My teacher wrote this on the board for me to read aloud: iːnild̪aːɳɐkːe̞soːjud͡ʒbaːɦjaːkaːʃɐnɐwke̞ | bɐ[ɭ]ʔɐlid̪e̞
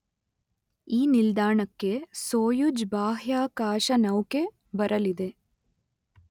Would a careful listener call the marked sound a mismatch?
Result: yes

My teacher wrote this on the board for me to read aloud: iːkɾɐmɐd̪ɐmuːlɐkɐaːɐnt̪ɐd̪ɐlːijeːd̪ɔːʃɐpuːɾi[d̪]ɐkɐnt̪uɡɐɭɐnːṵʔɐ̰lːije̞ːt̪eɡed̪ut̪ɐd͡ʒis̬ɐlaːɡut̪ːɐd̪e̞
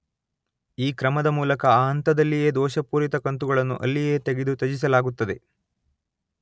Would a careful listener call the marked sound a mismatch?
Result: yes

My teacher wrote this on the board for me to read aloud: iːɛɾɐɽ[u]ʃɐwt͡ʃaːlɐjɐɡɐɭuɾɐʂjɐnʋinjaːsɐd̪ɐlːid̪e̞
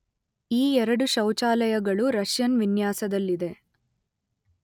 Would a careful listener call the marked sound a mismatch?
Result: no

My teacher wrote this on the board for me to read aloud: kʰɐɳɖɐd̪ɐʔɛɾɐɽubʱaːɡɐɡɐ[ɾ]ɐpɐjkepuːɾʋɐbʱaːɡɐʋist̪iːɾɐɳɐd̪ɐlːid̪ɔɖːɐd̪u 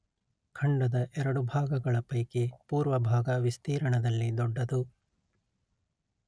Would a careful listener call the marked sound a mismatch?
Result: yes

